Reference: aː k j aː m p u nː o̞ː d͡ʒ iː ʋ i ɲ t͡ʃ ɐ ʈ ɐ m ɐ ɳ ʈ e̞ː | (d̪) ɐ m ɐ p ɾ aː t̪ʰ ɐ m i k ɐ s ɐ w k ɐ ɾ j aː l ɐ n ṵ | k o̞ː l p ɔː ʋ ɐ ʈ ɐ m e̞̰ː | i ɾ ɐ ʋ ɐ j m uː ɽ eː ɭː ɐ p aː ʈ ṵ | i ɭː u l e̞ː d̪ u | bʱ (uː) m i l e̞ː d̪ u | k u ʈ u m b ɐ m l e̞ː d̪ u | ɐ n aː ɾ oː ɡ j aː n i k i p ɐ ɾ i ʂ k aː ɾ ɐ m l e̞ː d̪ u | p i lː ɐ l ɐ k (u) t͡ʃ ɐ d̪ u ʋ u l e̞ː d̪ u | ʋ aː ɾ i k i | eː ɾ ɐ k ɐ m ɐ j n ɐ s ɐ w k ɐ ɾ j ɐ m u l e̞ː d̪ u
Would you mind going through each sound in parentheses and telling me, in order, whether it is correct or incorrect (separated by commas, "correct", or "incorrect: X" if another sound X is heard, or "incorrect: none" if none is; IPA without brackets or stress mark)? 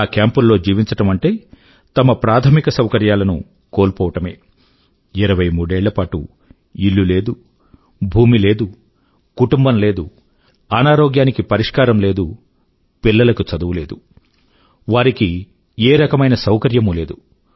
incorrect: t̪, correct, correct